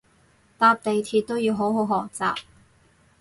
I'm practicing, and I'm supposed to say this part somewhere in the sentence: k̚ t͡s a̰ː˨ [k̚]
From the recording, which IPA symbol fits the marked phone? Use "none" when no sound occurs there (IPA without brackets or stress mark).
p̚